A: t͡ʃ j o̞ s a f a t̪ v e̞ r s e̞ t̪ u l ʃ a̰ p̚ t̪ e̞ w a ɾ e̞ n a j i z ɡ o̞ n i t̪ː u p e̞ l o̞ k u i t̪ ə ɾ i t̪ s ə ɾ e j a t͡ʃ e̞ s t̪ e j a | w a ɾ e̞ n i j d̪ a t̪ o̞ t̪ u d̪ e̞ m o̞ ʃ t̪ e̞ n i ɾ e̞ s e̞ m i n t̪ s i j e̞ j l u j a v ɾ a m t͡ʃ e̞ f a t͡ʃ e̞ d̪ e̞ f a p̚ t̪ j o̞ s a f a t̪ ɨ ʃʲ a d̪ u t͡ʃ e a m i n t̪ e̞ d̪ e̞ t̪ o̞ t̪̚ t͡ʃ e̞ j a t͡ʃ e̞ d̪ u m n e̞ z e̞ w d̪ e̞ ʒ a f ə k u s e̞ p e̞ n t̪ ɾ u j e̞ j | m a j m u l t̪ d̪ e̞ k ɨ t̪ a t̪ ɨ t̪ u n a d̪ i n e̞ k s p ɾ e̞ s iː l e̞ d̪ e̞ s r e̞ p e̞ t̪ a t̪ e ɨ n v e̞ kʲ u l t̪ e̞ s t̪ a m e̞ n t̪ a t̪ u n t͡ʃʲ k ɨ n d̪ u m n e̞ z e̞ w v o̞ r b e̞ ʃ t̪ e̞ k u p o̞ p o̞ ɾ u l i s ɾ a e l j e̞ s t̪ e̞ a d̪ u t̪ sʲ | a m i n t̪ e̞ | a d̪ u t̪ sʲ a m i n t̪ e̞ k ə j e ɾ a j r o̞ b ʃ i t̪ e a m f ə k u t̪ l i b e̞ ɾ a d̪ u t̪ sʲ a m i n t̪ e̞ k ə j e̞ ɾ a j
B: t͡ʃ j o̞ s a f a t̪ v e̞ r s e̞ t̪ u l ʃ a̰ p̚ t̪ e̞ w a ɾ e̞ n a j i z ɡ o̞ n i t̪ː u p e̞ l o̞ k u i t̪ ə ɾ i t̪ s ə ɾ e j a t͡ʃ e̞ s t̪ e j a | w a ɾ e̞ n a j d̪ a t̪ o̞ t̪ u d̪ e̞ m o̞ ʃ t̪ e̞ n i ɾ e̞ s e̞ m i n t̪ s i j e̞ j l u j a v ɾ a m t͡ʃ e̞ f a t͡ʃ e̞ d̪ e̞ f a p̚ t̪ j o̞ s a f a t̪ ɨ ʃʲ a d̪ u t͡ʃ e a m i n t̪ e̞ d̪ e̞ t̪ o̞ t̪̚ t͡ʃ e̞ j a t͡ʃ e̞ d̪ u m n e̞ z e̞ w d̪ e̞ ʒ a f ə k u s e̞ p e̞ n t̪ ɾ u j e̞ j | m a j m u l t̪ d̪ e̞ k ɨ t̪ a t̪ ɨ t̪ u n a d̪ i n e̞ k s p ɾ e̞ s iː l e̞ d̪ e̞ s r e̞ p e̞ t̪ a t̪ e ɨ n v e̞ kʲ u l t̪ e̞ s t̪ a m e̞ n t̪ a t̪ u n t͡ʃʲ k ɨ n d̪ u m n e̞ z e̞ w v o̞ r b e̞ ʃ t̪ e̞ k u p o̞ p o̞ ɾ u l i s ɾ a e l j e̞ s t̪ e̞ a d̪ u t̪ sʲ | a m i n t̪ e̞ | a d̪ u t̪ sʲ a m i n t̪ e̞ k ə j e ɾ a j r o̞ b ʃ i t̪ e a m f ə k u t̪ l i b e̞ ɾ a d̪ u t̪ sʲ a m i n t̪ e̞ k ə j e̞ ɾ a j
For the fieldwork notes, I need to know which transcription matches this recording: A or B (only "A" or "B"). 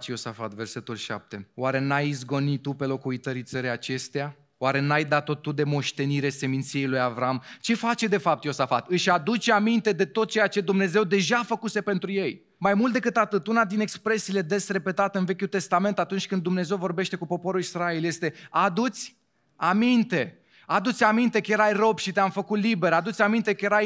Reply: B